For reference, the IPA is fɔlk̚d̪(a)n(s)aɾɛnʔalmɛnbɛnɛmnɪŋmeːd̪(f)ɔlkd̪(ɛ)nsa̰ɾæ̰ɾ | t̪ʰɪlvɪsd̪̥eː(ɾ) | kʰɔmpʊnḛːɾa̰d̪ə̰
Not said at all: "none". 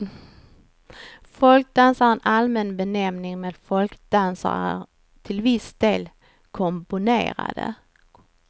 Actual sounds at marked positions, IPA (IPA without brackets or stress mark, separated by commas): a, s, f, a, l